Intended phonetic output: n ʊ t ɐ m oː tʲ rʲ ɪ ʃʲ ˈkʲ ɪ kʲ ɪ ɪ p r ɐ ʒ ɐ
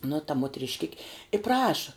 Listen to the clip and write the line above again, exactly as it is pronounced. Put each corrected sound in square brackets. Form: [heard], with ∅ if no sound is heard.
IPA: n ʊ t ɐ m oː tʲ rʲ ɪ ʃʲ ˈkʲ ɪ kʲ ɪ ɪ p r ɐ [ʃ] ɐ

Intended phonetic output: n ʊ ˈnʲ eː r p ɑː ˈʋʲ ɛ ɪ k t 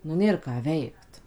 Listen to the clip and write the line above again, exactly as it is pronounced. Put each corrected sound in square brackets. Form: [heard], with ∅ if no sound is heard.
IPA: n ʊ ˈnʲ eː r [k] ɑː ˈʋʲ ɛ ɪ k t

